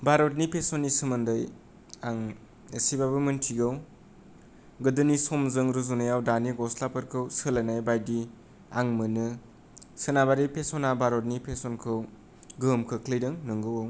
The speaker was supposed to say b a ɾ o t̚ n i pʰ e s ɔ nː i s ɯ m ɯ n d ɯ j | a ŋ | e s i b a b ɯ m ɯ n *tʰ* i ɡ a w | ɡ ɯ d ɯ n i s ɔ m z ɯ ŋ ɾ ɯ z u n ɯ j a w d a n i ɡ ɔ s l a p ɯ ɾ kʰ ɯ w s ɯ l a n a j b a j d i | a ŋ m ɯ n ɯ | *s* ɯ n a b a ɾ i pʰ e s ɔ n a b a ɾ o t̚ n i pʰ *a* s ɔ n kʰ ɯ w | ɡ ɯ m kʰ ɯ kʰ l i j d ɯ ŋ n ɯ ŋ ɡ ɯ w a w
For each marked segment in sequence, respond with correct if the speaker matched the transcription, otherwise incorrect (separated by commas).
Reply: correct, correct, incorrect